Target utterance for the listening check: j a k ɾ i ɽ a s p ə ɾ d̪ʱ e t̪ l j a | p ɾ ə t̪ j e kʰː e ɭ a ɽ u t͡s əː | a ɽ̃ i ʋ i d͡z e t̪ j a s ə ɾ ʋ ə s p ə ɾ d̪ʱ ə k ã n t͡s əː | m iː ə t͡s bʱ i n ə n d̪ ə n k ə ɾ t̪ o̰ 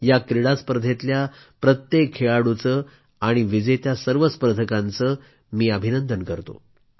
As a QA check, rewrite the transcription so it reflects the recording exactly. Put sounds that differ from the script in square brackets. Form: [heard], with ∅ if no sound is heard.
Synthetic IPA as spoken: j a k ɾ i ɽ a s p ə ɾ d̪ʱ e t̪ l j a | p ɾ ə t̪ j e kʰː e ɭ a ɽ u t͡s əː | a ɽ̃ i ʋ i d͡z e t̪ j a s ə ɾ ʋ ə s p ə ɾ d̪ʱ ə k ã n t͡s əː | m iː ə [∅] bʱ i n ə n d̪ ə n k ə ɾ t̪ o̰